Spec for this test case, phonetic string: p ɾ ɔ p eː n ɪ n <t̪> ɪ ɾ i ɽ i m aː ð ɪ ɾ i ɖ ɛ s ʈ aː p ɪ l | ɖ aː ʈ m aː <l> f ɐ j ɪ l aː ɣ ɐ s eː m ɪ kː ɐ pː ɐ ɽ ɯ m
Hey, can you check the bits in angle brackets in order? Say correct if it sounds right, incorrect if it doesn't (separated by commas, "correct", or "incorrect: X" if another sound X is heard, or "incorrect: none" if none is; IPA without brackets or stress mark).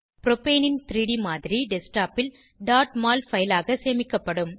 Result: correct, correct